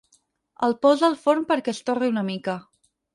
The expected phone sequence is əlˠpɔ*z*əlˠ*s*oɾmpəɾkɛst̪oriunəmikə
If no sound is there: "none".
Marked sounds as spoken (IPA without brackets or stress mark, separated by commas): z, f